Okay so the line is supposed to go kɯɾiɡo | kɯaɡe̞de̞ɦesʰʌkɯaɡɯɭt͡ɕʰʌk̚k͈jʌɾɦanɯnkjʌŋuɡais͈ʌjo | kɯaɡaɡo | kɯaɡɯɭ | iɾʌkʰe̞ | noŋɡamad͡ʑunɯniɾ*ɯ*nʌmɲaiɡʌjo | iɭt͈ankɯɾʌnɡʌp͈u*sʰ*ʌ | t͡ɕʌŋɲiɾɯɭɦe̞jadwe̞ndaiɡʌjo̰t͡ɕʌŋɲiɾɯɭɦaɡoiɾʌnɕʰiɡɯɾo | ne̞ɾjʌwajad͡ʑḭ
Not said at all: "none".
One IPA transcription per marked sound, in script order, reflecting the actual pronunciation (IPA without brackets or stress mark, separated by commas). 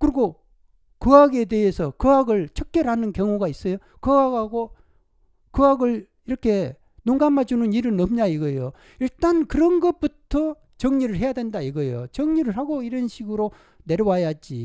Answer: ɯ, tʰ